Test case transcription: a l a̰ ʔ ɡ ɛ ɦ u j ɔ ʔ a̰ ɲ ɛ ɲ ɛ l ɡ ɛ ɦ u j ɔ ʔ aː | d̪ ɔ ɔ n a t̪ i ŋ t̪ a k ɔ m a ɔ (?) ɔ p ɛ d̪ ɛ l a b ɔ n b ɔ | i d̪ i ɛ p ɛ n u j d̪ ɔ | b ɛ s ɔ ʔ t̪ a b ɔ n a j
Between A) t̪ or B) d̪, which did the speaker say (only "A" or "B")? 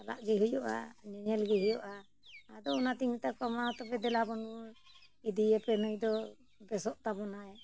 A